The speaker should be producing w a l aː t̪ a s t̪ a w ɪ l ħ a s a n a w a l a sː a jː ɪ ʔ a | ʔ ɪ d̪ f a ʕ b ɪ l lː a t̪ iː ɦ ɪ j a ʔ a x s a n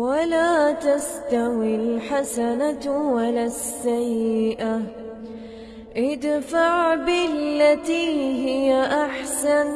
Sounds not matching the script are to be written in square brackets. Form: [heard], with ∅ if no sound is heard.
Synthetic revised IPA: w a l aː t̪ a s t̪ a w ɪ l ħ a s a n a w a l a sː a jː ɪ ʔ a | ʔ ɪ d̪ f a ʕ b ɪ l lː a t̪ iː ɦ ɪ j a ʔ a [ħ] s a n